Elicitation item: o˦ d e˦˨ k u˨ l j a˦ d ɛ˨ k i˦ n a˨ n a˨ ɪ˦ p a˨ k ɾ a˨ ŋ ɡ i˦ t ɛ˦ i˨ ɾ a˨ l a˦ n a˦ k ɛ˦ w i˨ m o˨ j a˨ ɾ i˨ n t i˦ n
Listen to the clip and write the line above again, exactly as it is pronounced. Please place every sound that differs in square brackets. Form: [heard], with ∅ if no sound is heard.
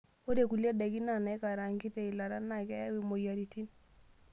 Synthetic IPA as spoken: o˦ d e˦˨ k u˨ l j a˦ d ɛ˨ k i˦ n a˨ n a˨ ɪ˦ [k] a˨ [∅] ɾ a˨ ŋ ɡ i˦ t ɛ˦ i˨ [l] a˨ [ɾ] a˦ n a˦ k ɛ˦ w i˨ m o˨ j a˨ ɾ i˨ [∅] t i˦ n

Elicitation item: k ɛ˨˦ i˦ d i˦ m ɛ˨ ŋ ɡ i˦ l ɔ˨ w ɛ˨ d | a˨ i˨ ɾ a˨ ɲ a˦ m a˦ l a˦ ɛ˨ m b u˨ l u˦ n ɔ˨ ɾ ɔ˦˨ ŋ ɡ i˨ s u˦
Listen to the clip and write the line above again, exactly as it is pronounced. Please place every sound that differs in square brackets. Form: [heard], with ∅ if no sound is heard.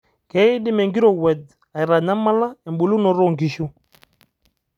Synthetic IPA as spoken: k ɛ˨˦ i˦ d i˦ m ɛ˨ ŋ ɡ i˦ [ɾ] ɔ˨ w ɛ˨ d | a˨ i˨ ɾ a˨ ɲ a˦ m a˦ l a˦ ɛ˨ m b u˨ l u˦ n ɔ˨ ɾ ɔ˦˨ ŋ ɡ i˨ [ʃ] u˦

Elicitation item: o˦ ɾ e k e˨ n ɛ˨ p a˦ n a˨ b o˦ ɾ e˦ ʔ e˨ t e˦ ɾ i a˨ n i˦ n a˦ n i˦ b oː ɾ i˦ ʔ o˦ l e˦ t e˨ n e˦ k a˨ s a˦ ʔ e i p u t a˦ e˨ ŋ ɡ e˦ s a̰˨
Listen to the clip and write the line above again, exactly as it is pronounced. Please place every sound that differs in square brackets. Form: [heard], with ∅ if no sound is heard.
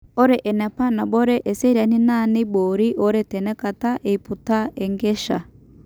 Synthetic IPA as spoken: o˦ ɾ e [ʔ] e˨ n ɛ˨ p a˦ n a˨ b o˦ ɾ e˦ ʔ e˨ [s] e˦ ɾ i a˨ n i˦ n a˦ n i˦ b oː ɾ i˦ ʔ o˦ [ɾ] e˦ t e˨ n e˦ k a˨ [t] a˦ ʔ e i p u t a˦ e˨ ŋ ɡ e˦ [ʃ] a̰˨

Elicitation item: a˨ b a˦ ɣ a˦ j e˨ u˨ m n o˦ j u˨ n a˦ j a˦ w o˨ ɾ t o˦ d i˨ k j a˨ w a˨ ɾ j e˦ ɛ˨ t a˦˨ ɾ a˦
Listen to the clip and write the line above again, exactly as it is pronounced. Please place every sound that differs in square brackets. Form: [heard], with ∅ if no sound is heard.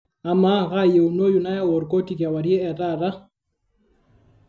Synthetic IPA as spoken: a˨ [m] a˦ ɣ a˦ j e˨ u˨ [∅] n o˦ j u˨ n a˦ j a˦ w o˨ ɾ [k] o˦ [t] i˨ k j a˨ w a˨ ɾ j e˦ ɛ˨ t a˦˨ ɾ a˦

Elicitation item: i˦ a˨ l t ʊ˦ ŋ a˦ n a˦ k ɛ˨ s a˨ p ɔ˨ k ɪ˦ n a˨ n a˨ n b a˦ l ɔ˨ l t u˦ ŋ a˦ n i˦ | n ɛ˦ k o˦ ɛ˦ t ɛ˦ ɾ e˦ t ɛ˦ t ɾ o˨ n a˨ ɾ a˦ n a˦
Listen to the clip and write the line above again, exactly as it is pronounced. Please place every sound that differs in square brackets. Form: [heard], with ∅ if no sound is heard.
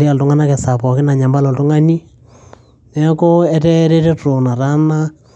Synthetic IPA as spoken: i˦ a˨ l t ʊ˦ ŋ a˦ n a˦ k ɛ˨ s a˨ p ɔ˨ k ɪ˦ n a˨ [ɲ] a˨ [m] b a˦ l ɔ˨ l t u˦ ŋ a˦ n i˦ | n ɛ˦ k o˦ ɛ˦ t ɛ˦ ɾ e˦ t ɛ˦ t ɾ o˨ n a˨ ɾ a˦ n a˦

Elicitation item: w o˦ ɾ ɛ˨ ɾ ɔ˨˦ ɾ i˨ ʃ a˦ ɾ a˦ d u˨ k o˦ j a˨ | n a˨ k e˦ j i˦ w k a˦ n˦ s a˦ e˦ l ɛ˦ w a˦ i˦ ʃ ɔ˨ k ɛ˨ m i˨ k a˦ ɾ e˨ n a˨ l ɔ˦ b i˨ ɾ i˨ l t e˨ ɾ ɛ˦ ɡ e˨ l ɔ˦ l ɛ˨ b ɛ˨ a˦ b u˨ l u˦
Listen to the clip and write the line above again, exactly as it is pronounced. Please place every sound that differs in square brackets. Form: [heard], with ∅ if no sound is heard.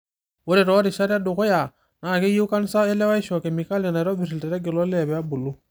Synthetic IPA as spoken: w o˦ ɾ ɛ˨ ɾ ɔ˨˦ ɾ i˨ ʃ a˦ ɾ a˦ d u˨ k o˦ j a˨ | n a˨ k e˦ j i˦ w k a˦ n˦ s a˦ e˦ l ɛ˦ w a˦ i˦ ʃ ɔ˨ k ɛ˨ m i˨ k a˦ [l] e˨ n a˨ [ɾ] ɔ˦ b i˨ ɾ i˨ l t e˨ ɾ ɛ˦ ɡ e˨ l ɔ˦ l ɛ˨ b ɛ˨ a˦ b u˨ l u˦

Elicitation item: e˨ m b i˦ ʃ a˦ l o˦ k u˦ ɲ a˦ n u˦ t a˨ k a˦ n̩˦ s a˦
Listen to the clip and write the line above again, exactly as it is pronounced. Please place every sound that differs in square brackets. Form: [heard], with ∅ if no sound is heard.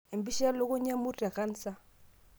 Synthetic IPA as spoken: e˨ m b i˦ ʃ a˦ l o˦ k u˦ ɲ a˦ [m] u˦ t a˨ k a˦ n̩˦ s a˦

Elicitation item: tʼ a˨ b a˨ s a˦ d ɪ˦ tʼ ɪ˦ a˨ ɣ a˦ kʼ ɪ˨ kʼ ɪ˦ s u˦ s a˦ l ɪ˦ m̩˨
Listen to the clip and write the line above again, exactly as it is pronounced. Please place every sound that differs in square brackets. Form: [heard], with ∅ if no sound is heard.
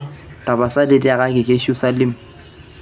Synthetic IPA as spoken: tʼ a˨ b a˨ s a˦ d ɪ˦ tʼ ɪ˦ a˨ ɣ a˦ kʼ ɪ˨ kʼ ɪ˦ [ʃ] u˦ s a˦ l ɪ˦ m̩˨

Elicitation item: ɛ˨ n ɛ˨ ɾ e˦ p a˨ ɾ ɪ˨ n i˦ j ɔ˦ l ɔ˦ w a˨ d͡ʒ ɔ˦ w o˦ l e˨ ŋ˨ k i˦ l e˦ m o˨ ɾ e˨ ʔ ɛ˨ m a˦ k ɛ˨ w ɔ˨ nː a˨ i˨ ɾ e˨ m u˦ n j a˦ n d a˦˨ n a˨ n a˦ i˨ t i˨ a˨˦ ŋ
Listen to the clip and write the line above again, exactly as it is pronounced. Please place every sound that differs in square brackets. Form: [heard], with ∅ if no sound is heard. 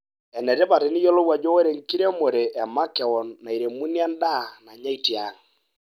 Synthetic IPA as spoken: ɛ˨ n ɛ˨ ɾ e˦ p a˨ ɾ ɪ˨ n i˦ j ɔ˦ l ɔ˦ w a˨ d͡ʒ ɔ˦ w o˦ [ɾ] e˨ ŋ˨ k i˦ [ɾ] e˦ m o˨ ɾ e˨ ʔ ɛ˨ m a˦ k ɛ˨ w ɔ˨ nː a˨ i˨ ɾ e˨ m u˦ n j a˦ n d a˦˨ n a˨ [ɲ] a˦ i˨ t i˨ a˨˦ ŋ

